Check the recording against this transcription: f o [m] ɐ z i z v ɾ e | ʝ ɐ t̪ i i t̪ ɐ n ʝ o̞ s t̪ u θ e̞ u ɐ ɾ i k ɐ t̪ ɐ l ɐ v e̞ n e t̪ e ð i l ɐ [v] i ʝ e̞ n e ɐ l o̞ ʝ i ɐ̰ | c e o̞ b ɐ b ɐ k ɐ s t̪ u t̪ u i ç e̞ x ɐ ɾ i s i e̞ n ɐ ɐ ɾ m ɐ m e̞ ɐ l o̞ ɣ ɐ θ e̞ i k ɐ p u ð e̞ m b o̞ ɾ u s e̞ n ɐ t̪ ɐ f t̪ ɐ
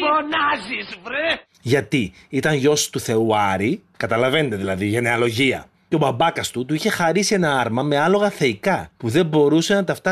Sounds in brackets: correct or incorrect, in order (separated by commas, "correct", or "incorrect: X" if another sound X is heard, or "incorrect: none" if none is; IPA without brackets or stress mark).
incorrect: n, incorrect: ð